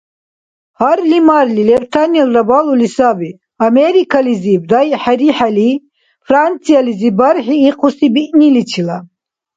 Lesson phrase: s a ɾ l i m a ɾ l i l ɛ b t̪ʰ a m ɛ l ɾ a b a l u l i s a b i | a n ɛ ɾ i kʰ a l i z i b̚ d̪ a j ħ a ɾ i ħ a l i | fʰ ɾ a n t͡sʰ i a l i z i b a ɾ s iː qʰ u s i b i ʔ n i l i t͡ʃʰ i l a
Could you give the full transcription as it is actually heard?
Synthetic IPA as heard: h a ɾ l i m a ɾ l i l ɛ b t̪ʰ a n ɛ l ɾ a b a l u l i s a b i | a m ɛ ɾ i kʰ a l i z i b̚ d̪ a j ħ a ɾ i ħ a l i | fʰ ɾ a n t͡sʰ i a l i z i b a ɾ ħ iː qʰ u s i b i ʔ n i l i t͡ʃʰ i l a